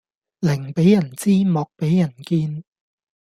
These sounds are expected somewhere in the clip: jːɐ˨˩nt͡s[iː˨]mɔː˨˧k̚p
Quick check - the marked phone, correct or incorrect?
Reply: incorrect